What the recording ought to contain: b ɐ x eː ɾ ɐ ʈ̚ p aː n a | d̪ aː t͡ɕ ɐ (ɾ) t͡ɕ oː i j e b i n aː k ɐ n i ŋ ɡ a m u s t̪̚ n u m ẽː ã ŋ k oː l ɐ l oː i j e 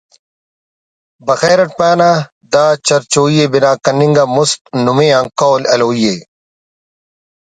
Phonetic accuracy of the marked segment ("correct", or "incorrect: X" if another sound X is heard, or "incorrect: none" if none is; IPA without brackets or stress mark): correct